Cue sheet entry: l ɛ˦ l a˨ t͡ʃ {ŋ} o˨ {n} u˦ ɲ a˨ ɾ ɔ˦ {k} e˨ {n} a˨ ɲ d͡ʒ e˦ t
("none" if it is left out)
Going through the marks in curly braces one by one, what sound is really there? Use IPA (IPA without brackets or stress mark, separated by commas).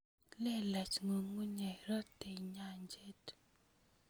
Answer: ŋ, ŋ, t, ɲ